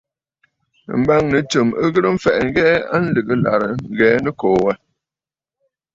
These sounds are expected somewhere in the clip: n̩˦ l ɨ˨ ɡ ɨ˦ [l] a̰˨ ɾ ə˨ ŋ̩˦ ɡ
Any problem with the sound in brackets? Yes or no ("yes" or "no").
no